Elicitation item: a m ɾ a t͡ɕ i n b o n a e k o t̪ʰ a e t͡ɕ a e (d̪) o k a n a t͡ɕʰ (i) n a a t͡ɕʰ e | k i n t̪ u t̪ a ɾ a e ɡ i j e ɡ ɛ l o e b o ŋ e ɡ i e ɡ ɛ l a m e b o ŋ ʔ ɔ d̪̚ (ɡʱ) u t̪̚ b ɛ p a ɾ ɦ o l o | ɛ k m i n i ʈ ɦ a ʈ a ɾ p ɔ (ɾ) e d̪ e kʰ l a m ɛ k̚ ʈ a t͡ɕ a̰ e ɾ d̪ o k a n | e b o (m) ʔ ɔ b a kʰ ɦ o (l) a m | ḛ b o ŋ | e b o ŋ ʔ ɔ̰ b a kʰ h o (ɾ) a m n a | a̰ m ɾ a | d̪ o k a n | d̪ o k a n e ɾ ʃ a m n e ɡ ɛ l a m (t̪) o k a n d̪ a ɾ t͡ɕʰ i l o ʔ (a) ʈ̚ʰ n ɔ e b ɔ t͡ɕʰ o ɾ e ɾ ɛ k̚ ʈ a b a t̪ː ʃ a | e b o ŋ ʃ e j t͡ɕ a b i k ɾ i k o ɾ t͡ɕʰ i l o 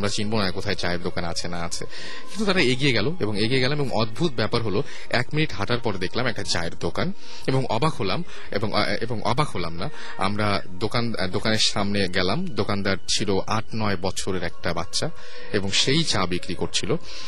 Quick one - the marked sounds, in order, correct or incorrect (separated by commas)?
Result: correct, incorrect, incorrect, correct, incorrect, correct, incorrect, incorrect, correct